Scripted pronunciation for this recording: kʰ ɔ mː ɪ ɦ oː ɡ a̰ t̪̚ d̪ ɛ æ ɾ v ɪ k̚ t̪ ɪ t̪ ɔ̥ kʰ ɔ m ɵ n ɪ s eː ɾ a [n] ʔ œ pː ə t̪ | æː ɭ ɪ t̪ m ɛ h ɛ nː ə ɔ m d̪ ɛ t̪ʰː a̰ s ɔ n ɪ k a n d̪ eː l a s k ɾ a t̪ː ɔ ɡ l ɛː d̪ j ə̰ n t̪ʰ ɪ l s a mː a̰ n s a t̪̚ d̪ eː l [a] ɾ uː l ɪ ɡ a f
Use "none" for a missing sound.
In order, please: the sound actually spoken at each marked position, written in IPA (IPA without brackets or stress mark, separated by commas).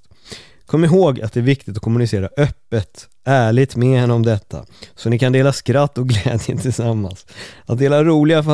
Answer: none, a